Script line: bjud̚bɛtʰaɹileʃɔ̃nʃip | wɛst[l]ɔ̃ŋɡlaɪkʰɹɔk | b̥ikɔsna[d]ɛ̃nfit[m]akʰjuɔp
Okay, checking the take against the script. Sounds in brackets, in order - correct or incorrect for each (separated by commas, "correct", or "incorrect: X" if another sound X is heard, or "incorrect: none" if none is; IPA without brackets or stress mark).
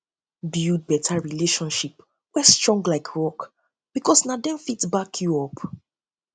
incorrect: ɹ, correct, incorrect: b